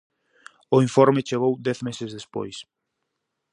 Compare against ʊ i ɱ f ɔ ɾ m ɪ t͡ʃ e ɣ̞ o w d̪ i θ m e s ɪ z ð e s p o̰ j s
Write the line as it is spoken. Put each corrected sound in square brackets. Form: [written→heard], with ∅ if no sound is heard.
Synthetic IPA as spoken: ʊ i ɱ f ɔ ɾ m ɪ t͡ʃ e ɣ̞ o w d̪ [i→ɛ] θ m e s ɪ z ð e s p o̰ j s